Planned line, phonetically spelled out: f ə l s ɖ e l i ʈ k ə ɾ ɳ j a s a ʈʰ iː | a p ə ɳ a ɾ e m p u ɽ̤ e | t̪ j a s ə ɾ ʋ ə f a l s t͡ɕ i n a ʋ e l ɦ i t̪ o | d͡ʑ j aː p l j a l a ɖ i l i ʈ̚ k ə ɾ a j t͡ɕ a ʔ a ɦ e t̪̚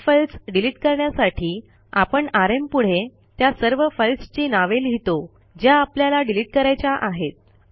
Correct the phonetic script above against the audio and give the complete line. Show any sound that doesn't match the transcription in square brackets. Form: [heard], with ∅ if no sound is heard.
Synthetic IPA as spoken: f ə l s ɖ [i] l i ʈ k ə ɾ ɳ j a s a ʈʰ iː | a p ə ɳ a ɾ e m p u ɽ̤ e | t̪ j a s ə ɾ ʋ ə f [ə] l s t͡ɕ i n a ʋ e l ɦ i t̪ o | d͡ʑ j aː p l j a l a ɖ i l i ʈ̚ k ə ɾ a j t͡ɕ a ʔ a ɦ e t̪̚